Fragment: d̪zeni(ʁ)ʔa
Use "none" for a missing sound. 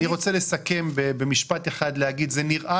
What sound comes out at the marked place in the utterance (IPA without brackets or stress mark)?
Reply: ʁ